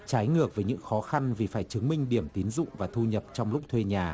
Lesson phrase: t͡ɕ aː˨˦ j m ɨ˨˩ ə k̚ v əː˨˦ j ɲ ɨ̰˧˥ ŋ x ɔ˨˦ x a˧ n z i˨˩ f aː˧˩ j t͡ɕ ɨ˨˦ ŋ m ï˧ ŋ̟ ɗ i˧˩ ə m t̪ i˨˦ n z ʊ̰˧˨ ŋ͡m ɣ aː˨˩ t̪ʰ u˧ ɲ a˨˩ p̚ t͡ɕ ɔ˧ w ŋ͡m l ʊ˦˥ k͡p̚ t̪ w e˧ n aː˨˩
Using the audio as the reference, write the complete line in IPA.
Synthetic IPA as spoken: t͡ɕ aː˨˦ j ŋ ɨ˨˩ ə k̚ v əː˨˦ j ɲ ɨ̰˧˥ ŋ x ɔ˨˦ x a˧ n v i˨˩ f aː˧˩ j t͡ɕ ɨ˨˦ ŋ m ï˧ ŋ̟ ɗ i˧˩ ə m t̪ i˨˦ n z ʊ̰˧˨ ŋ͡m v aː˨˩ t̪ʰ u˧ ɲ ə˨˩ p̚ t͡ɕ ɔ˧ w ŋ͡m l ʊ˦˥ k͡p̚ t̪ʰ w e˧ ɲ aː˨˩